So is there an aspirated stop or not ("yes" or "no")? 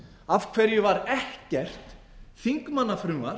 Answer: yes